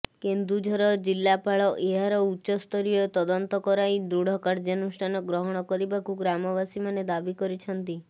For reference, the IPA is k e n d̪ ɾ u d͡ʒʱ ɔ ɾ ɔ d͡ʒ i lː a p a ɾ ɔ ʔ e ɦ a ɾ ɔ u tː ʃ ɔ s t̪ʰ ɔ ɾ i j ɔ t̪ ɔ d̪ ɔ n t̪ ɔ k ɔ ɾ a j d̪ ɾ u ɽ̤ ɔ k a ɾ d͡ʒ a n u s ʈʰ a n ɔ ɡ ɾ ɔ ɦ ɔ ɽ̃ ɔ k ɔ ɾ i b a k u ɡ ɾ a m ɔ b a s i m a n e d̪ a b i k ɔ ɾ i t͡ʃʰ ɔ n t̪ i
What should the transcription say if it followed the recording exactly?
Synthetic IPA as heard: k e n d̪ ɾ u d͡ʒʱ ɔ ɾ ɔ d͡ʒ i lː a p a ɭ ɔ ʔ e ɦ a ɾ ɔ u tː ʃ ɔ s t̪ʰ ɔ ɾ i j ɔ t̪ ɔ d̪ ɔ n t̪ ɔ k ɔ ɾ a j d̪ ɾ u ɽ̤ ɔ k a ɾ d͡ʒ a n u s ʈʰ a n ɔ ɡ ɾ ɔ ɦ ɔ ɽ̃ ɔ k ɔ ɾ i b a k u ɡ ɾ a m ɔ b a s i m a n e d̪ a b i k ɔ ɾ i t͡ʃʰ ɔ n t̪ i

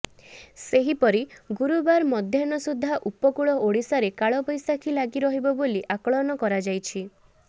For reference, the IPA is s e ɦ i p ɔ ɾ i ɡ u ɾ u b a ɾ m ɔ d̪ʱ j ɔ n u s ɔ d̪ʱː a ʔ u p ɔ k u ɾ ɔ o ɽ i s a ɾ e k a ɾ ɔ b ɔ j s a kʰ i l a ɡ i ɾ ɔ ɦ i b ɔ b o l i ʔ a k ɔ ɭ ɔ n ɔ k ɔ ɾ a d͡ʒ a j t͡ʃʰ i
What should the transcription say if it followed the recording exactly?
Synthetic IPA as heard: s e ɦ i p ɔ ɾ i ɡ u ɾ u b a ɾ m ɔ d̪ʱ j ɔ n ɔ s u d̪ʱː a ʔ u p ɔ k u ɭ ɔ o ɽ i s a ɾ e k a ɭ ɔ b ɔ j s a kʰ i l a ɡ i ɾ ɔ ɦ i b ɔ b o l i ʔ a k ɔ ɭ ɔ n ɔ k ɔ ɾ a d͡ʒ a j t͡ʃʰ i

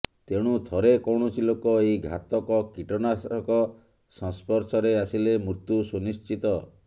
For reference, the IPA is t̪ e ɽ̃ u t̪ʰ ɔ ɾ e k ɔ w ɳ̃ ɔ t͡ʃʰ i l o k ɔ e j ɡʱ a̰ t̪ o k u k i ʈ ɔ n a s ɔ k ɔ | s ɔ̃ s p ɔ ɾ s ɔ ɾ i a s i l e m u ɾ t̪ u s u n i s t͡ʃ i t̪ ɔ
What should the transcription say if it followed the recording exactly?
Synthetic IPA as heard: t̪ e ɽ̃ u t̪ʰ ɔ ɾ e k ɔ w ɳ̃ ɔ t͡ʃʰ i l o k ɔ e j ɡʱ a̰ t̪ ɔ k ɔ k i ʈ ɔ n a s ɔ k ɔ | s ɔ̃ s p ɔ ɾ s ɔ ɾ e a s i l e m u ɾ t̪ u s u n i s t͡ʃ i t̪ ɔ

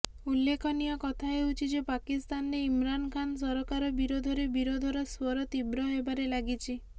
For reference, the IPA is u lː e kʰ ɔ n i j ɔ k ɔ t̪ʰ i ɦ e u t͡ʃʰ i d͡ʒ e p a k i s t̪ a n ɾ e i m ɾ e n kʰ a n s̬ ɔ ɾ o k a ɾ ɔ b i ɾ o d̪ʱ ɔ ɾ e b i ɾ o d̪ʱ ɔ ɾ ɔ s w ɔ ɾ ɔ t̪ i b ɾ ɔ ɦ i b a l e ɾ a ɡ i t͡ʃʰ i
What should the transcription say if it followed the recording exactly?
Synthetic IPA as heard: u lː e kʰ ɔ n i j ɔ k ɔ t̪ʰ a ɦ e u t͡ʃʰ i d͡ʒ e p a k i s t̪ a n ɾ e i m ɾ a n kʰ a n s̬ ɔ ɾ ɔ k a ɾ ɔ b i ɾ o d̪ʱ ɔ ɾ e b i ɾ o d̪ʱ ɔ ɾ ɔ s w ɔ ɾ ɔ t̪ i b ɾ ɔ ɦ e b a ɾ e l a ɡ i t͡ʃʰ i

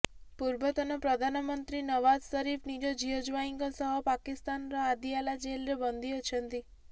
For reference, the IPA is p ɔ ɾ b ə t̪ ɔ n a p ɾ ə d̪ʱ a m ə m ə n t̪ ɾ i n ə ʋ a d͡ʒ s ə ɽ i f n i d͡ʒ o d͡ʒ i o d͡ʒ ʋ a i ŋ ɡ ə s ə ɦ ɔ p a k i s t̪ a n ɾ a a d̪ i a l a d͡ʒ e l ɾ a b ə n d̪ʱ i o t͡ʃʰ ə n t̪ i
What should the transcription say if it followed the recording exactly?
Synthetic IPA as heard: p u ɾ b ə t̪ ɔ n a p ɾ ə d̪ʱ a n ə m ə n t̪ ɾ i n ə ʋ a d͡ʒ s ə ɾ i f n i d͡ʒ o d͡ʒ i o d͡ʒ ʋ a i ŋ ɡ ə s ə ɦ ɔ p a k i s t̪ a n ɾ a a d̪ i a l a d͡ʒ e l ɾ e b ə n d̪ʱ i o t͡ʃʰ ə n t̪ i

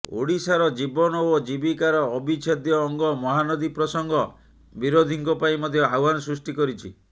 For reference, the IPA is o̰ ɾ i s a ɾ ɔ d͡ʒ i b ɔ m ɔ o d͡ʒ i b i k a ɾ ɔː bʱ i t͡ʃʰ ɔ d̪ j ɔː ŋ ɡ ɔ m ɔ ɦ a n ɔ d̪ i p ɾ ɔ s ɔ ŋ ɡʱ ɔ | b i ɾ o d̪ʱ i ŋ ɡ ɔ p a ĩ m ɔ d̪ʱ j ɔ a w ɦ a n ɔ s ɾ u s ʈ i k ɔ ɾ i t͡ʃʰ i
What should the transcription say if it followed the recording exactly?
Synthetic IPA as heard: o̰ ɽ i s a ɾ ɔ d͡ʒ i b ɔ n ɔ o d͡ʒ i b i k a ɾ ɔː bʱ i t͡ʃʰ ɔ d̪ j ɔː ŋ ɡ ɔ m ɔ ɦ a n ɔ d̪ i p ɾ ɔ s ɔ ŋ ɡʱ ɔ | b i ɾ o d̪ʱ i ŋ k ɔ p a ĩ m ɔ d̪ʱ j ɔ a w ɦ a n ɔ s ɾ u s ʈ i k ɔ ɾ i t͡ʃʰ i

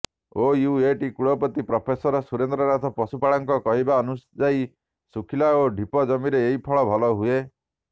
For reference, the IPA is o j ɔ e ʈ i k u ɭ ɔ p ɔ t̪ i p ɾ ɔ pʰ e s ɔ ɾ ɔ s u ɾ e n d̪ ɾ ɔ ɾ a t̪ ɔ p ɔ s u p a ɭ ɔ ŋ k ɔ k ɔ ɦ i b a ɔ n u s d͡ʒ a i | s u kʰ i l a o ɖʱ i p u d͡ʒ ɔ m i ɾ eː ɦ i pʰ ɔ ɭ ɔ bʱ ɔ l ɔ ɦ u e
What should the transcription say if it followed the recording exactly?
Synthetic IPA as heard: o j u e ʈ i k u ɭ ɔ p ɔ t̪ i p ɾ ɔ pʰ e s ɔ ɾ ɔ s u ɾ e n d̪ ɾ ɔ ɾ a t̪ ɔ p ɔ s u p a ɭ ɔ ŋ k ɔ k ɔ ɦ i b a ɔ n u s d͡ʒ a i | s u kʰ i l a o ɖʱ i p ɔ d͡ʒ ɔ m i ɾ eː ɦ i pʰ ɔ ɭ ɔ bʱ ɔ l ɔ ɦ u e

